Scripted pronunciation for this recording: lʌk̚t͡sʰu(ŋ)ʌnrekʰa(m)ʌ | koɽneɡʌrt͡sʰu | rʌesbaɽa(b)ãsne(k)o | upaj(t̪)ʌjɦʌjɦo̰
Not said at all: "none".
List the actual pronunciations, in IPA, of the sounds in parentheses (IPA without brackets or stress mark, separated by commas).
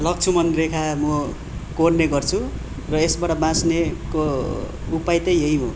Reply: m, m, b, k, t̪